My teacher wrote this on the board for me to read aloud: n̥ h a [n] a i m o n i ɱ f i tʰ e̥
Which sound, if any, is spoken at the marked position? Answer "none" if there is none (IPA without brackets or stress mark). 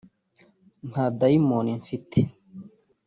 d